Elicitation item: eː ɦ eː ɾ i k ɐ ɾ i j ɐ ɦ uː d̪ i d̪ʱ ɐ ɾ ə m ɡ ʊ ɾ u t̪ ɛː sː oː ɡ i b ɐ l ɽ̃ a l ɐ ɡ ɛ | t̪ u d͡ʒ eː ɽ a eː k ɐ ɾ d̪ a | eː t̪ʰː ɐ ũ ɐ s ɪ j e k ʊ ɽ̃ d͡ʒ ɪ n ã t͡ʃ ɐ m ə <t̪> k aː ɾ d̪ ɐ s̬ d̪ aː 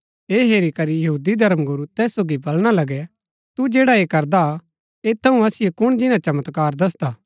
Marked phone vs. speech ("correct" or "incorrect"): correct